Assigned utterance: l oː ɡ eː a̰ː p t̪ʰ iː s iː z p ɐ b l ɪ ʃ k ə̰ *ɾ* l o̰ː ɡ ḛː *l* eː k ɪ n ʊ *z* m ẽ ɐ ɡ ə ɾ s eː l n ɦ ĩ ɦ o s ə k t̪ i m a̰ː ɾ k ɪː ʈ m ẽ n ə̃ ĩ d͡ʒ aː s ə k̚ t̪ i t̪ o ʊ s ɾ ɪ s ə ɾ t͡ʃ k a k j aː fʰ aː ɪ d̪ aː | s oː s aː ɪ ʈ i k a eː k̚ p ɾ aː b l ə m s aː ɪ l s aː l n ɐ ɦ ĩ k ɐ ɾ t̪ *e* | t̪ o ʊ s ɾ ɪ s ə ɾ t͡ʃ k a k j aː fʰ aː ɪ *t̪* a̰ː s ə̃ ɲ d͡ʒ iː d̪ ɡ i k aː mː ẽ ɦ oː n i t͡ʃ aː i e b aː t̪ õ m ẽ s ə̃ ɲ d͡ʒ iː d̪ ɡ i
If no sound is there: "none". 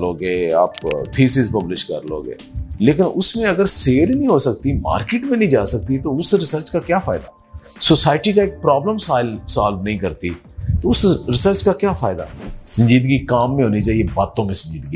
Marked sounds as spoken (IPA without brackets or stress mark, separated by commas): ɾ, l, s, i, d̪